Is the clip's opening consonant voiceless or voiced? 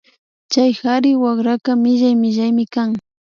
voiceless